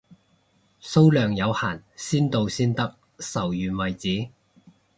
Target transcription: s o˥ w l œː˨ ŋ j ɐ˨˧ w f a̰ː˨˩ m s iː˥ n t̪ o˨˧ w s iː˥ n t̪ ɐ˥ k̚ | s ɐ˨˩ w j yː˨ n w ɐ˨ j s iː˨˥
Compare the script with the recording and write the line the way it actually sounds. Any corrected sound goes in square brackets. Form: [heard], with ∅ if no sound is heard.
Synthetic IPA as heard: s o˥ w l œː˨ ŋ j ɐ˨˧ w [h] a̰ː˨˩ [n] s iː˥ n t̪ o˨˧ w s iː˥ n t̪ ɐ˥ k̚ | s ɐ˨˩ w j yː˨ n w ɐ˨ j [t͡s] iː˨˥